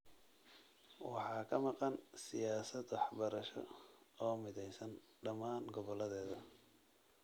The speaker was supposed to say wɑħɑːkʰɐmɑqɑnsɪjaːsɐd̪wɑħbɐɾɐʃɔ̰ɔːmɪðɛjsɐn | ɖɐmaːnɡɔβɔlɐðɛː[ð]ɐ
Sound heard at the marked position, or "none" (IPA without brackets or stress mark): ð